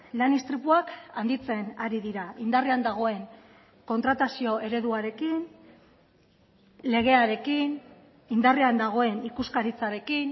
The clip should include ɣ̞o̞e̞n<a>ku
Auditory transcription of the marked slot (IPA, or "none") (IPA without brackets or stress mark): i